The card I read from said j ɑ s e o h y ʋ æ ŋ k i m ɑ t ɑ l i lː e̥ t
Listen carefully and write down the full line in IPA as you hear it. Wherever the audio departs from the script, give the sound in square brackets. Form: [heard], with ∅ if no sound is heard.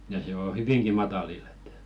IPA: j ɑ s e o h y ʋ [i] ŋ k i m ɑ t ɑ l i lː e̥ t